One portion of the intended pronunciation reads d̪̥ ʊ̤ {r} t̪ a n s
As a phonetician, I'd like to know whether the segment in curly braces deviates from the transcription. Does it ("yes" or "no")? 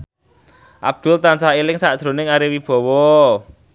yes